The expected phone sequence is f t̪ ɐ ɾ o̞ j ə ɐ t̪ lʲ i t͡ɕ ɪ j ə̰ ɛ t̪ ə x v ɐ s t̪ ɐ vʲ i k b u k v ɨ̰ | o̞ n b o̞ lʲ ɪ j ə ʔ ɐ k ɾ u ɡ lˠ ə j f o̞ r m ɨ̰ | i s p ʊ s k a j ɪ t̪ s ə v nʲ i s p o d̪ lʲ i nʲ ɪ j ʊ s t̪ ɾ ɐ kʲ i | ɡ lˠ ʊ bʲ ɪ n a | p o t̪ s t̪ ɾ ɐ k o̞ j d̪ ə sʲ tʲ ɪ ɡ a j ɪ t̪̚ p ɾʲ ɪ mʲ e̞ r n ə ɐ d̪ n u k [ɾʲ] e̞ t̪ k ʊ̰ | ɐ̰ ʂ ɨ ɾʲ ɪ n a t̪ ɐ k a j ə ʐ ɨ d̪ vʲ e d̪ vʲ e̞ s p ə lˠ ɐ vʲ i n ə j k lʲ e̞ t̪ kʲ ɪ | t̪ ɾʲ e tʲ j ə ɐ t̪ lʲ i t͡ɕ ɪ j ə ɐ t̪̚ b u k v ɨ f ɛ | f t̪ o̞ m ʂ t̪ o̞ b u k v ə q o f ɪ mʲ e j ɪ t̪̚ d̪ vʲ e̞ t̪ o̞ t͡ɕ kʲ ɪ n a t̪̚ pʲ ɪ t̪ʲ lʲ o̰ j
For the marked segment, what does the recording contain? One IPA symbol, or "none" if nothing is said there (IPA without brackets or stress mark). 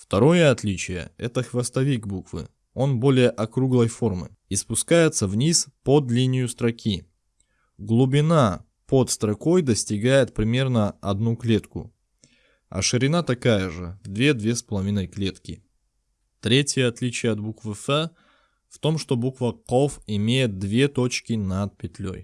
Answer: lʲ